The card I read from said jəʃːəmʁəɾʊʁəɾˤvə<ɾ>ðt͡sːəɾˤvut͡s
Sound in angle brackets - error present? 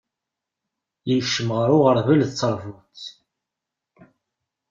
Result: yes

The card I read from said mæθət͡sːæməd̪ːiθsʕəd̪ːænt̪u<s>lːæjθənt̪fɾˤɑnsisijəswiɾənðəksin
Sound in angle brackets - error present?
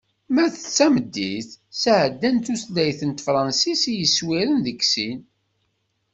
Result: no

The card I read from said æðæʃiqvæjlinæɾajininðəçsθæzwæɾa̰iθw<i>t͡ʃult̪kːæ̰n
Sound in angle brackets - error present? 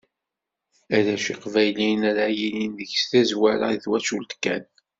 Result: yes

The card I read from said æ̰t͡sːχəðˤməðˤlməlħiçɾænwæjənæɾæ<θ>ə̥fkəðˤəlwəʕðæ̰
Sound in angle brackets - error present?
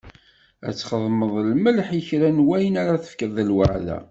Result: no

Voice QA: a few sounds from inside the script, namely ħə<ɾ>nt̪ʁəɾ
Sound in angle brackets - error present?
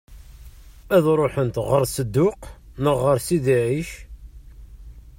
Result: yes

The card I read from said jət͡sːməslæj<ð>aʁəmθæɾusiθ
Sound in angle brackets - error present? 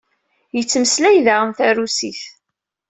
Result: no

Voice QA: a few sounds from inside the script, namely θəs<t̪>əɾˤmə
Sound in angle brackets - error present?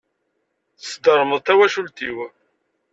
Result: yes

